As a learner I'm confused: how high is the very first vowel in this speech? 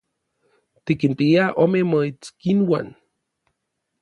high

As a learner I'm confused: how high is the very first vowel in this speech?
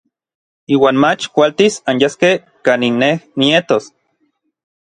high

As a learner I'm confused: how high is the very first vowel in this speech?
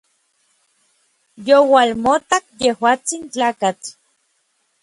mid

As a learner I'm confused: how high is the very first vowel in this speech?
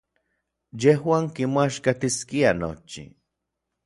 mid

